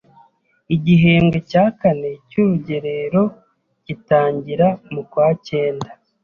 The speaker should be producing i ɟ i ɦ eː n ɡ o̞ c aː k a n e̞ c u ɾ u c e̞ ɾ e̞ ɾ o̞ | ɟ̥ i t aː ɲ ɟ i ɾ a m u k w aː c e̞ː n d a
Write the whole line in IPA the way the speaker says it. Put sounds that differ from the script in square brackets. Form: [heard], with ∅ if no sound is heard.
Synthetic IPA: i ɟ i ɦ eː [ŋ] ɡ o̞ c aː k a n e̞ c u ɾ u [ɟ] e̞ ɾ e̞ ɾ o̞ | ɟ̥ i t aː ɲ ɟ i ɾ a m u k w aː c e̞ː n d a